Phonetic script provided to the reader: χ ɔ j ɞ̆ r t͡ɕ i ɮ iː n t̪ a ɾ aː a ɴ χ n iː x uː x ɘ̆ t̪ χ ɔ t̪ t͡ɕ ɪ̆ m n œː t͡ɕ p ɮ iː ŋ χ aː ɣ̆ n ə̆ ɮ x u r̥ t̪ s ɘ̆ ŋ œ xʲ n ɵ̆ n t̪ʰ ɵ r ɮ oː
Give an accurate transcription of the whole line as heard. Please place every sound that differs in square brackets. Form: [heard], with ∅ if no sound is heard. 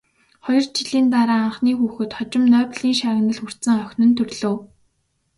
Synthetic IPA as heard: χ ɔ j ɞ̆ r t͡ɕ i ɮ iː n t̪ a ɾ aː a ɴ χ n iː x uː x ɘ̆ t̪ χ ɔ [∅] t͡ɕ ɪ̆ m n œː [∅] p ɮ iː ŋ [ʃ] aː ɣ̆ n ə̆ ɮ x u r̥ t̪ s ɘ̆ ŋ œ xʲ n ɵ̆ n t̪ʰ ɵ r ɮ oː